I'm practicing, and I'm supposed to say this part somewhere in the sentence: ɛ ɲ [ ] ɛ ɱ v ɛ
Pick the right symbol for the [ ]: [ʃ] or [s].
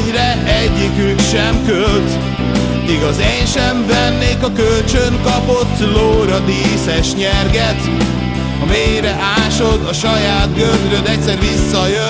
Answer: ʃ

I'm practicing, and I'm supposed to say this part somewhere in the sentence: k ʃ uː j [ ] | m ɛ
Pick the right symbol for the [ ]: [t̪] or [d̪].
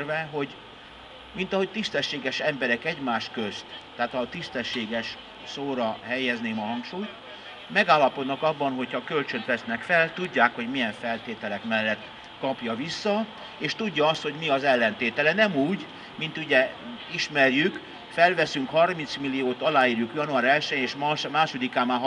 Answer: t̪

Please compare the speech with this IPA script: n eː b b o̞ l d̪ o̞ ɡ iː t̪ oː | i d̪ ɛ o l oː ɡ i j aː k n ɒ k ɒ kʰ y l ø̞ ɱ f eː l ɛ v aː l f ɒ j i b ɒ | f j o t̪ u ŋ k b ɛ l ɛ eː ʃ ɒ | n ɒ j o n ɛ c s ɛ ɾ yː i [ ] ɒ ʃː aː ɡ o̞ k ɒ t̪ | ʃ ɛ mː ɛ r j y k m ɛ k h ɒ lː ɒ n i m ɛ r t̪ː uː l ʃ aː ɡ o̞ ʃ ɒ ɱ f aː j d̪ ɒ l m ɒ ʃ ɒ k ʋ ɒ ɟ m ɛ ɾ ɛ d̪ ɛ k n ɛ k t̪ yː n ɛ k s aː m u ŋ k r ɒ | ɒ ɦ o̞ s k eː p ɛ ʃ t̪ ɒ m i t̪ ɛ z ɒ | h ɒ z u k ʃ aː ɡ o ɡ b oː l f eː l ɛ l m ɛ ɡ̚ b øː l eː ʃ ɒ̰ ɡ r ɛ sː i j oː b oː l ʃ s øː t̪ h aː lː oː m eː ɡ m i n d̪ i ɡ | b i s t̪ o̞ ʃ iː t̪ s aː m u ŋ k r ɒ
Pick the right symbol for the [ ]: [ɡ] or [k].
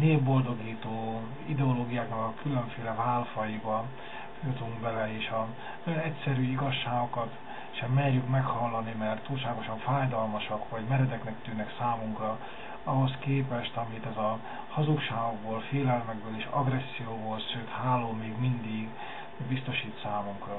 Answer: ɡ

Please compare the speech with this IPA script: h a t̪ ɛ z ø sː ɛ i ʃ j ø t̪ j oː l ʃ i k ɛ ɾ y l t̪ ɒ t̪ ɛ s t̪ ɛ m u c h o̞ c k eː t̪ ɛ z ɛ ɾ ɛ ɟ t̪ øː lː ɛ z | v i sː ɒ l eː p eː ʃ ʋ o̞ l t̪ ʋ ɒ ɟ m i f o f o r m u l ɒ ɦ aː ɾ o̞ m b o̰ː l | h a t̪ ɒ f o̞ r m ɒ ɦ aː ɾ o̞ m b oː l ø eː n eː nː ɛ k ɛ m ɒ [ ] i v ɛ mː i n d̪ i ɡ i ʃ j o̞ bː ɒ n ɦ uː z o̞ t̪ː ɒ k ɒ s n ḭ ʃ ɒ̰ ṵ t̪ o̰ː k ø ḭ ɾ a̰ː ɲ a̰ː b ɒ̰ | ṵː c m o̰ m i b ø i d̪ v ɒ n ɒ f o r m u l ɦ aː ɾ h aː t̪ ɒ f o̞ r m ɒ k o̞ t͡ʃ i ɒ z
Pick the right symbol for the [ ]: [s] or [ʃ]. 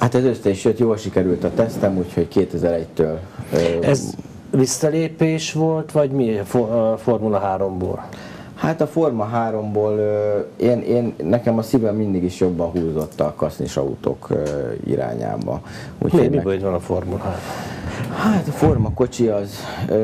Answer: s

